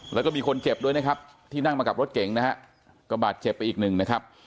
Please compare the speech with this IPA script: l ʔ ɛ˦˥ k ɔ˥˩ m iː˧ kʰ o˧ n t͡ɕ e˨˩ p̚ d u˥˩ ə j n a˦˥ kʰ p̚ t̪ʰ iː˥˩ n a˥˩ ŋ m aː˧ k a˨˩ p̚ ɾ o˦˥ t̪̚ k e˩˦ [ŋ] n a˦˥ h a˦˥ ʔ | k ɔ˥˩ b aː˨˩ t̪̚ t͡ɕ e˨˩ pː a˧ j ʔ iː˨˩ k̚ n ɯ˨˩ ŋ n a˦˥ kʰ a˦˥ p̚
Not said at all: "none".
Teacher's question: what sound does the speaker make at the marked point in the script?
ŋ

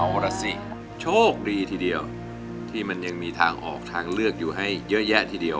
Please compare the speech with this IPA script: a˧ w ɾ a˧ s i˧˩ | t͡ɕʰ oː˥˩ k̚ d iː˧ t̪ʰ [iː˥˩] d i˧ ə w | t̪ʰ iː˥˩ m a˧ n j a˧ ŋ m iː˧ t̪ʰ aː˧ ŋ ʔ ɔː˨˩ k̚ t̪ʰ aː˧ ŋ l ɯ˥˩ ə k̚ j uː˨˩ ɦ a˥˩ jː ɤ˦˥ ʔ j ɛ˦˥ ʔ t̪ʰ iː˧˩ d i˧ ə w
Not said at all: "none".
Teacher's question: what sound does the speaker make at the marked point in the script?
iː˧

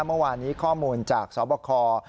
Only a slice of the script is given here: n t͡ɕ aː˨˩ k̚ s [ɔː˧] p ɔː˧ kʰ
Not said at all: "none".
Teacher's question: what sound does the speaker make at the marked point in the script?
ɔː˩˦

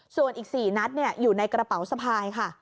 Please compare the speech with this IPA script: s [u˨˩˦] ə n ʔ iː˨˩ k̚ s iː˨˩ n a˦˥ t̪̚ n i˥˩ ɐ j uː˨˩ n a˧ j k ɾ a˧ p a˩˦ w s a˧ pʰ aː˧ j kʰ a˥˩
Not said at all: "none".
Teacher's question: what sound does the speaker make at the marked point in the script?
u˨˩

